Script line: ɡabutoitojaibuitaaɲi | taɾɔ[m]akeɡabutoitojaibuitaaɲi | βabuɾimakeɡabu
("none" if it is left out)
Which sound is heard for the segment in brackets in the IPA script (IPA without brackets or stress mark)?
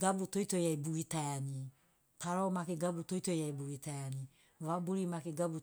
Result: m